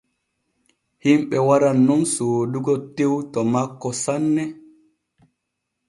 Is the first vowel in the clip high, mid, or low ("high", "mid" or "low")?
high